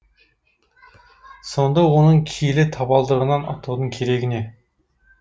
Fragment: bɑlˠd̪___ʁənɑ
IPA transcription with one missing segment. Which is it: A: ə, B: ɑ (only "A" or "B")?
A